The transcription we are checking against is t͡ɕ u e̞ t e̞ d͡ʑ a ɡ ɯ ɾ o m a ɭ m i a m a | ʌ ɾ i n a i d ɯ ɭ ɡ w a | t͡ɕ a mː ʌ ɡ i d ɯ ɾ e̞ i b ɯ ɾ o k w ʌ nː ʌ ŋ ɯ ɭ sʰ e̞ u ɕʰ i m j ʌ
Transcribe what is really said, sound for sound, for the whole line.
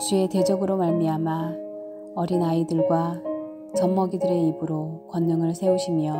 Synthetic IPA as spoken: t͡ɕ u e̞ t e̞ d͡ʑ ʌ ɡ ɯ ɾ o m a ɭ m i a m a | ʌ ɾ i n a i d ɯ ɭ ɡ w a | t͡ɕ ʌ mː ʌ ɡ i d ɯ ɾ e̞ i b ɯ ɾ o k w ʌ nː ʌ ŋ ɯ ɭ sʰ e̞ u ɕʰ i m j ʌ